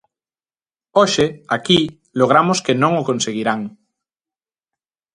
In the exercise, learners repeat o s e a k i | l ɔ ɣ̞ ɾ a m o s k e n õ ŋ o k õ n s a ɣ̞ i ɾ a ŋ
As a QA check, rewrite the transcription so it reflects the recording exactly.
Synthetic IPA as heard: o ʃ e a k i | l o ɣ̞ ɾ a m o s k e n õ ŋ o k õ n s e ɣ̞ i ɾ a ŋ